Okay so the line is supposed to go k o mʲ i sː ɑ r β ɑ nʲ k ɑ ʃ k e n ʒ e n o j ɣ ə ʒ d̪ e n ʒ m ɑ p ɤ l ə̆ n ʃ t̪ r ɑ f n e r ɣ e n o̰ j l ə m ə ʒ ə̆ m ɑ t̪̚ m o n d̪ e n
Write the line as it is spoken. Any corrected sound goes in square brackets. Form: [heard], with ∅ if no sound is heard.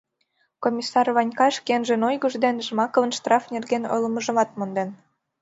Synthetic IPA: k o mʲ i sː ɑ r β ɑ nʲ k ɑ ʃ k e n ʒ e n o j ɣ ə ʒ d̪ e n ʒ m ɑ [k] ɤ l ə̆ n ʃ t̪ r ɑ f n e r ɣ e n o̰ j l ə m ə ʒ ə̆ m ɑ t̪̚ m o n d̪ e n